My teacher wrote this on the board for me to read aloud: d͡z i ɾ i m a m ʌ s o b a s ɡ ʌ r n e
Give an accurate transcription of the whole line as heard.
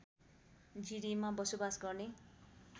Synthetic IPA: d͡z i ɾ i m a b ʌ s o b a s ɡ ʌ r n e